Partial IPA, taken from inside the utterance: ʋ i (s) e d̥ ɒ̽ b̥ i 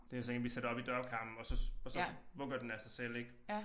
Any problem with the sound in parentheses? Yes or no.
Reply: no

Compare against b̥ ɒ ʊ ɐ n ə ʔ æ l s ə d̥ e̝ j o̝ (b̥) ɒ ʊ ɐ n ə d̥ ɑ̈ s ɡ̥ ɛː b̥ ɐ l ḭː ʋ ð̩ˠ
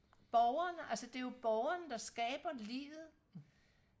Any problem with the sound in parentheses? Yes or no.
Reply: no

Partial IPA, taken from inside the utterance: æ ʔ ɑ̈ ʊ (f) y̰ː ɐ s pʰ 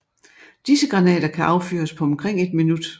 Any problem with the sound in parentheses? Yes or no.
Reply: no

